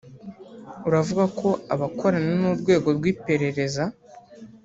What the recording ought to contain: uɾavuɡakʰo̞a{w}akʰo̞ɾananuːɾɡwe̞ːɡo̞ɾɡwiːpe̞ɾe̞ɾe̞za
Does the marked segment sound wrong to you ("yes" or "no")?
yes